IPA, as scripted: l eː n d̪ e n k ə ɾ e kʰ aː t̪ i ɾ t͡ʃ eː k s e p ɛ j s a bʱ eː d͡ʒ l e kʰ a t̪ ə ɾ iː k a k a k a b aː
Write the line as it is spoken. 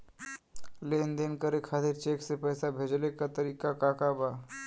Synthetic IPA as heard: l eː n d̪ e n k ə ɾ e kʰ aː t̪ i ɾ t͡ʃ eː k s e p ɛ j s a bʱ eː d͡ʒ l e k a t̪ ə ɾ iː k a k a k a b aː